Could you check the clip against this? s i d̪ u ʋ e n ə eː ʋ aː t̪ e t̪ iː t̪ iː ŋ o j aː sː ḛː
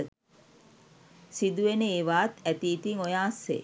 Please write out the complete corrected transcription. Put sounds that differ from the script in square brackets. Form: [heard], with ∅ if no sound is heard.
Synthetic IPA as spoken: s i d̪ u ʋ e n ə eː ʋ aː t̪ [æ] t̪ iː t̪ [i] ŋ o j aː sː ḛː